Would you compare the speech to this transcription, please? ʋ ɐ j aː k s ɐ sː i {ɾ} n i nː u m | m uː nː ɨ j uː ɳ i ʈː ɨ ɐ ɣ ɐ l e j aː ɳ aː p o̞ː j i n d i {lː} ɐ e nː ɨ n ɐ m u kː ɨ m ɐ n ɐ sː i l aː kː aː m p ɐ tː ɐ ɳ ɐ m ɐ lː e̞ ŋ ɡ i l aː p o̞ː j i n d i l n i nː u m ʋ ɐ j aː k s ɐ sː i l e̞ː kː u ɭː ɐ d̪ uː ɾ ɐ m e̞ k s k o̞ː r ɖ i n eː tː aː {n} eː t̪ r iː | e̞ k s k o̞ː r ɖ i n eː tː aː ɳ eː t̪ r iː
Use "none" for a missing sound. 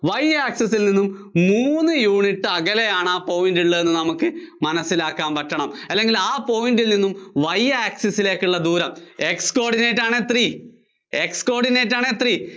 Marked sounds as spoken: l, ɭː, ɳ

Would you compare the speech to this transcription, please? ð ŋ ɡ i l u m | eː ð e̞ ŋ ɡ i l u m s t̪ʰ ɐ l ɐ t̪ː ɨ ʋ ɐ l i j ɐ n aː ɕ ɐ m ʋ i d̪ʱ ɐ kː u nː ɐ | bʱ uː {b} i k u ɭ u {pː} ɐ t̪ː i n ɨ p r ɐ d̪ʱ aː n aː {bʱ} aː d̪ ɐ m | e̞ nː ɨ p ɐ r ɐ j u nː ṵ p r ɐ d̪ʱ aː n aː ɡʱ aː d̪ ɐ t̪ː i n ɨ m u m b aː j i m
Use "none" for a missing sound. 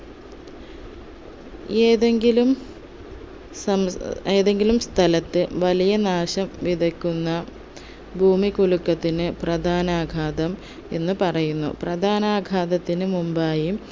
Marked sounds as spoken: m, kː, ɡʱ

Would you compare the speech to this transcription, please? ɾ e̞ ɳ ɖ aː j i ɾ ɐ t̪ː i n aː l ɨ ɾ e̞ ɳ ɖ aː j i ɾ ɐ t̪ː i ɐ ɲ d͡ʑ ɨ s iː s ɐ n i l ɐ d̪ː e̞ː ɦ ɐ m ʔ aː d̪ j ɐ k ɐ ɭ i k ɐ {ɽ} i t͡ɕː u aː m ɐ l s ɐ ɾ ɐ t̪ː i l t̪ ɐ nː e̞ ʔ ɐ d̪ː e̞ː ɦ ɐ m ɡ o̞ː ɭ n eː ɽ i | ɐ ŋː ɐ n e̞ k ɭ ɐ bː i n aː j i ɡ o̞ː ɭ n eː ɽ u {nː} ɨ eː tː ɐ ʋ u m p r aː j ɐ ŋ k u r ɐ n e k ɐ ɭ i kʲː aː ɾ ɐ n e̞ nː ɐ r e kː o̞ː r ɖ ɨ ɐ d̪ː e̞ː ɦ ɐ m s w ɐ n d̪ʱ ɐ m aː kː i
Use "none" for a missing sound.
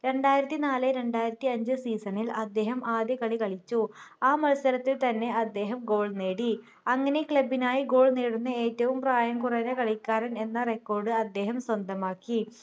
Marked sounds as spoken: ɭ, nː

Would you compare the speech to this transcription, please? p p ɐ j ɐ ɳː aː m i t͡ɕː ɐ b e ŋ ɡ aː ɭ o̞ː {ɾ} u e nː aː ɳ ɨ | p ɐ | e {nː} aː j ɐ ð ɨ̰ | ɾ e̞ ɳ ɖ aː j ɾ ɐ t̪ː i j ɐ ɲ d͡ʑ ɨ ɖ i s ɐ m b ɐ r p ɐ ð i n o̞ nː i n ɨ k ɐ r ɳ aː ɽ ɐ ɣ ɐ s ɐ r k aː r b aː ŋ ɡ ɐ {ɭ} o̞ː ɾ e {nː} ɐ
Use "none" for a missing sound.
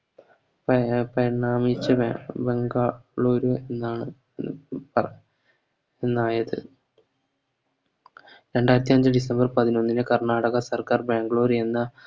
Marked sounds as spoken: ɾ, nː, ɭ, nː

